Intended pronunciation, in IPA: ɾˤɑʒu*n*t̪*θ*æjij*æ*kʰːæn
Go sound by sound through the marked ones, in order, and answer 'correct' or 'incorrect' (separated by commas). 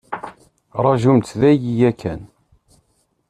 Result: incorrect, incorrect, correct